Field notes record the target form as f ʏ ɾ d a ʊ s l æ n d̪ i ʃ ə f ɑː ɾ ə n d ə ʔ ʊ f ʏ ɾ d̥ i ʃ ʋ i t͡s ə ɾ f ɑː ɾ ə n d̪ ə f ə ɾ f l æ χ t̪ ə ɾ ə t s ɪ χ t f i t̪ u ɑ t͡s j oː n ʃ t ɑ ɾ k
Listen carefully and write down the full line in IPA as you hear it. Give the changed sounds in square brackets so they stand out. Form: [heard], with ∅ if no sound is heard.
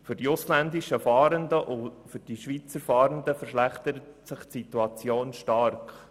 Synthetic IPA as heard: f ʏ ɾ d [i] ʊ s l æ n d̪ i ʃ ə f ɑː ɾ ə n d ə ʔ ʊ f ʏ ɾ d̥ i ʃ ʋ i t͡s ə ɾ f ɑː ɾ ə n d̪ ə f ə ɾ [ʃ] l æ χ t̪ ə ɾ ə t s ɪ χ t [s] i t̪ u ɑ t͡s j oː n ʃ t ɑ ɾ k